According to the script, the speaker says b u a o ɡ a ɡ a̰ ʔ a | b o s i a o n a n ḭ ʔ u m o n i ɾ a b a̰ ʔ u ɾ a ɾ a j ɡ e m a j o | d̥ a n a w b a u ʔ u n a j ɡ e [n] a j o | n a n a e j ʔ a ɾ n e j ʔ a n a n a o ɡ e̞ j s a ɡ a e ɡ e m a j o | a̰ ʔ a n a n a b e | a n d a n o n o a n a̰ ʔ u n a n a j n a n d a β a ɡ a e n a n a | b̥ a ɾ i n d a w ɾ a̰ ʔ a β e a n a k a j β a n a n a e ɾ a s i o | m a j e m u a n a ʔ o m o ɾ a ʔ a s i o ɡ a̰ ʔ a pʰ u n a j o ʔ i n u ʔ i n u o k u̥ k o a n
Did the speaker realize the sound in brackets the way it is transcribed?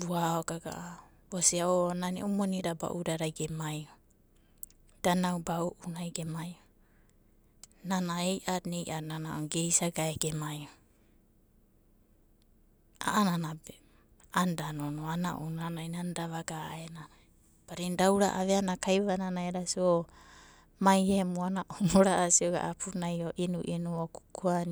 no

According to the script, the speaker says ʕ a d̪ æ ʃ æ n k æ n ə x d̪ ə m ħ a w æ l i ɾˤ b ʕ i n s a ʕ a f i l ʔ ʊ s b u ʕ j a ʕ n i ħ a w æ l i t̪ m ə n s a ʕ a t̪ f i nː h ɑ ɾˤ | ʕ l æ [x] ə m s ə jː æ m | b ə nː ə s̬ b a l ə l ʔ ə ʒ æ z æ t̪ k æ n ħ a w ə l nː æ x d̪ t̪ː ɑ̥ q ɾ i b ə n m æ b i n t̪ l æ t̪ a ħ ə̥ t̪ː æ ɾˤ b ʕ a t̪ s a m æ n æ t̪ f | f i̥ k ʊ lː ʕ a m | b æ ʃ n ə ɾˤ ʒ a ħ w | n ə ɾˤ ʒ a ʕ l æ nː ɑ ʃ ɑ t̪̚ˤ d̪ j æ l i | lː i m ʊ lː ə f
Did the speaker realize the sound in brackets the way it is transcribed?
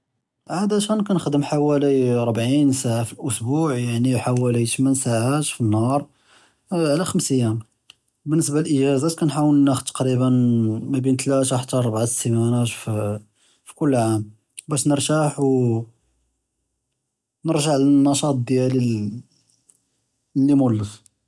yes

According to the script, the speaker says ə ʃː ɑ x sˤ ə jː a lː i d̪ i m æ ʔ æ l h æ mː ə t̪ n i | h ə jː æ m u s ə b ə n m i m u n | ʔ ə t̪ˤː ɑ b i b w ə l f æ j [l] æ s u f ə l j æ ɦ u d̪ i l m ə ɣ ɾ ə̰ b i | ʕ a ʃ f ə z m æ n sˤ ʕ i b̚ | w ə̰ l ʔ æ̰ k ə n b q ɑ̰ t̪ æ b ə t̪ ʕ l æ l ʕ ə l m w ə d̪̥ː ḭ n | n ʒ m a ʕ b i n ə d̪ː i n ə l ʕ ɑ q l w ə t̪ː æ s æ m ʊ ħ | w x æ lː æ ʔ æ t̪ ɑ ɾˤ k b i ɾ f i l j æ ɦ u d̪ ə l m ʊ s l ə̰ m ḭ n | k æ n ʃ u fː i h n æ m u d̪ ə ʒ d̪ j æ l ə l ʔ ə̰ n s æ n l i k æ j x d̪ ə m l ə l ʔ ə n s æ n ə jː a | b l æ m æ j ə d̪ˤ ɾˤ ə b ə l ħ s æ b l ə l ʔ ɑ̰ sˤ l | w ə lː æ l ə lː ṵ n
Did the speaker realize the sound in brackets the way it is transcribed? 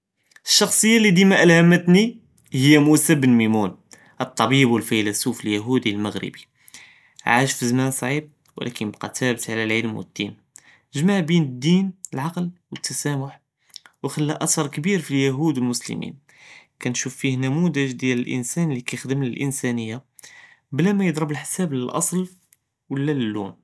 yes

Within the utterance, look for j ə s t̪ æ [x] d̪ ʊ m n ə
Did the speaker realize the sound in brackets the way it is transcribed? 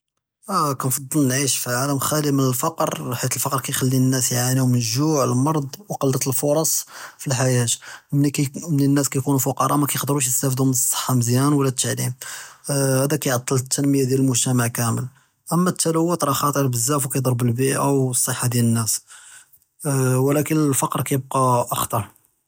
no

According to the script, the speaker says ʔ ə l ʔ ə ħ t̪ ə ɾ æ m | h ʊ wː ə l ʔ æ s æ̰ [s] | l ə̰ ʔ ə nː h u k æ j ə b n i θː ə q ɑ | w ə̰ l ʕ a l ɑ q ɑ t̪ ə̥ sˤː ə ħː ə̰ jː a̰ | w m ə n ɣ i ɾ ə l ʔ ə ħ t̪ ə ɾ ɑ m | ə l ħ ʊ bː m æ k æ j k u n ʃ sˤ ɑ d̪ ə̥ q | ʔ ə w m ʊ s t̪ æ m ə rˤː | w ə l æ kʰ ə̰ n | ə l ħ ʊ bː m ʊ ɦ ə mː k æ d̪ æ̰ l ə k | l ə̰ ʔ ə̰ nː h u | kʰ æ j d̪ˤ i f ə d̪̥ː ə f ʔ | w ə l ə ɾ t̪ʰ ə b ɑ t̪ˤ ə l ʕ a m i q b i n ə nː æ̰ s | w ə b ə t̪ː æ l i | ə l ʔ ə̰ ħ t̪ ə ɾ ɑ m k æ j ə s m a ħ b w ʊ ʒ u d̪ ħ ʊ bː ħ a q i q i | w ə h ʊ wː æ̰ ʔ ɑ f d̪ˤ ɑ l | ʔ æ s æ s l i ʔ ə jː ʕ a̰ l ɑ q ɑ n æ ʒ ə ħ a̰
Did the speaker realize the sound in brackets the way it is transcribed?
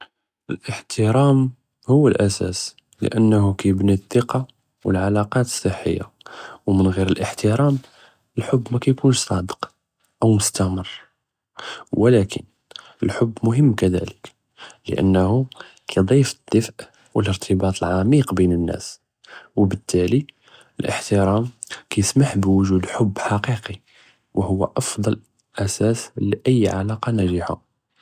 yes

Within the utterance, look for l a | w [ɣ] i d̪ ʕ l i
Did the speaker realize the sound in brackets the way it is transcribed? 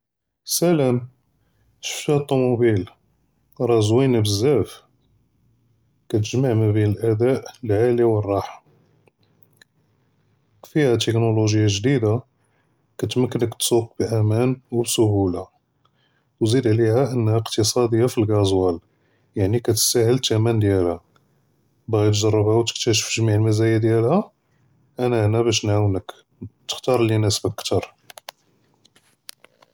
no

